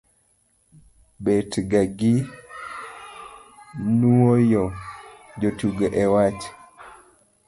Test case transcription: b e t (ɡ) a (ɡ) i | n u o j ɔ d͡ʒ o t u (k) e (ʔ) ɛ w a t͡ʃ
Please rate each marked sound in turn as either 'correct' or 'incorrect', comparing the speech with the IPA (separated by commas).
correct, correct, incorrect, correct